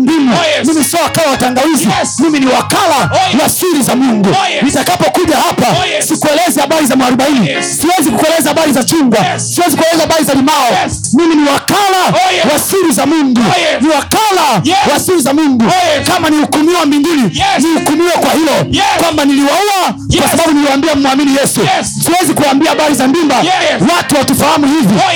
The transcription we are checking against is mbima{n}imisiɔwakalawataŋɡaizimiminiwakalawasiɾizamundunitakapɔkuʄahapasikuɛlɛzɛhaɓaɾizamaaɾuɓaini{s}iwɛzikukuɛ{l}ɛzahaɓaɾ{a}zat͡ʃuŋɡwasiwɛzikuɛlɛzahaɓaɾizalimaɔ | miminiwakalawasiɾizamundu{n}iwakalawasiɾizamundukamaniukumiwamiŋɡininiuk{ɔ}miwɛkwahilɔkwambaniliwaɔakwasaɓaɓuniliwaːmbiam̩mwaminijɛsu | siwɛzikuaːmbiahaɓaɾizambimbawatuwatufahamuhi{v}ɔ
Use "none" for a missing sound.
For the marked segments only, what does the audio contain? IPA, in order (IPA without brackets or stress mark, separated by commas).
m, s, l, i, n, u, v